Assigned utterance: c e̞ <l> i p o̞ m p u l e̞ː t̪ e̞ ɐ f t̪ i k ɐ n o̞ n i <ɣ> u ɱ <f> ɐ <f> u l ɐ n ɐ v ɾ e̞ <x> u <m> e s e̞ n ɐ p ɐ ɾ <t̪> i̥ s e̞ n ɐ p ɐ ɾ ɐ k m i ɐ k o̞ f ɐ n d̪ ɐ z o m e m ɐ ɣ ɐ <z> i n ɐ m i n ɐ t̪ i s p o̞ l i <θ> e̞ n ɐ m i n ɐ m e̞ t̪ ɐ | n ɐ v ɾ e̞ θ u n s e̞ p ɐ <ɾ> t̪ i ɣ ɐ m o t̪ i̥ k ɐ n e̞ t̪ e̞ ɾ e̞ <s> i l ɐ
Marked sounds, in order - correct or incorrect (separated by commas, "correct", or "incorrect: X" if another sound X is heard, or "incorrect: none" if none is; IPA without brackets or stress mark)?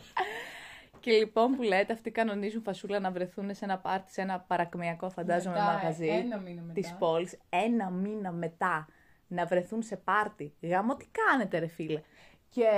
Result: correct, incorrect: z, correct, incorrect: s, incorrect: θ, incorrect: n, correct, correct, incorrect: s, correct, incorrect: f